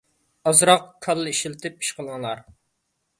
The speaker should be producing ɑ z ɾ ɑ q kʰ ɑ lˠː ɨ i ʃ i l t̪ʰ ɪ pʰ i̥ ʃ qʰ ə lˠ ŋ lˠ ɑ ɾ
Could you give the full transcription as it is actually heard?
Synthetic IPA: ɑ z ɾ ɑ q kʰ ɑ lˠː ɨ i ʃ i l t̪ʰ ɪ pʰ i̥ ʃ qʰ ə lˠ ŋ lˠ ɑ ɾ